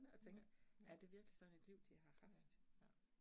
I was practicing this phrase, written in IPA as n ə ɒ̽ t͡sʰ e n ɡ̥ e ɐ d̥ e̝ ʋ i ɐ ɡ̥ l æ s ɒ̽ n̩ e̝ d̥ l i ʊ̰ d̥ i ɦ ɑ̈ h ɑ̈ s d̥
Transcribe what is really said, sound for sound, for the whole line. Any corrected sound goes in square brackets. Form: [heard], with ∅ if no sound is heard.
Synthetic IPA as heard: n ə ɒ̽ t͡sʰ e [ŋ] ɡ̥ [æ] ɐ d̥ e̝ ʋ i ɐ ɡ̥ l [i] s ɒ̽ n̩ e̝ d̥ l i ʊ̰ d̥ i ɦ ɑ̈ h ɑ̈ [f] d̥